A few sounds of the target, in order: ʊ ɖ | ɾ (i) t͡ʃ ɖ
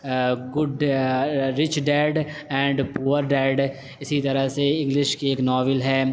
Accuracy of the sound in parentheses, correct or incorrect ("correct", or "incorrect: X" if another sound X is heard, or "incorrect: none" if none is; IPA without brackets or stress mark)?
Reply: incorrect: ɪ